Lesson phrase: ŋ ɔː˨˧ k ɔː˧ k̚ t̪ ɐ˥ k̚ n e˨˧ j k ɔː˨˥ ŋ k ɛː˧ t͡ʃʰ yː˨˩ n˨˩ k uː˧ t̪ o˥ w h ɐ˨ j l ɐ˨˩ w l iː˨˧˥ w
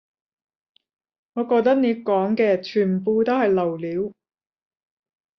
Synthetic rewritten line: ŋ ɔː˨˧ k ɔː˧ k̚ t̪ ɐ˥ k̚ n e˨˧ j k ɔː˨˥ ŋ k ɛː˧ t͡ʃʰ yː˨˩ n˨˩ p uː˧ t̪ o˥ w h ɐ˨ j l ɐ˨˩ w l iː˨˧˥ w